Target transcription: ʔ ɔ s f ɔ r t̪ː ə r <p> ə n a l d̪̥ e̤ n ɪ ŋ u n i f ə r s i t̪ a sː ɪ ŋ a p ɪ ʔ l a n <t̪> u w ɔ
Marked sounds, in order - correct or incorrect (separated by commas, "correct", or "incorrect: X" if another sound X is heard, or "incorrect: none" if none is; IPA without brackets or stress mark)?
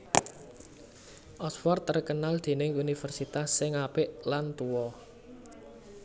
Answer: incorrect: k, correct